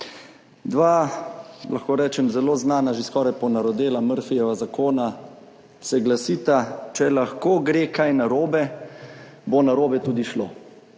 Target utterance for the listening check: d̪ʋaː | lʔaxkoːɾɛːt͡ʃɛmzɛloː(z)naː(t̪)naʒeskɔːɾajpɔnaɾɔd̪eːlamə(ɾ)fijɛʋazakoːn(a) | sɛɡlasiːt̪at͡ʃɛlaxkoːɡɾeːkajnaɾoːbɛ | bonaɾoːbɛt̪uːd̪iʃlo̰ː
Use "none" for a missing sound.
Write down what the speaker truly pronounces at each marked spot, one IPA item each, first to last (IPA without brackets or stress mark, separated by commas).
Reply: z, none, ɾ, a